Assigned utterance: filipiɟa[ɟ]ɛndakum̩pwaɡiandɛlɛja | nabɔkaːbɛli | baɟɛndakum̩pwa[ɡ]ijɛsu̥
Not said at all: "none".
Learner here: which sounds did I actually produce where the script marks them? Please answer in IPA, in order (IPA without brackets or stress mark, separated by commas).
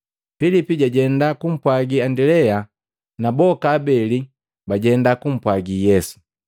ɟ, ɡ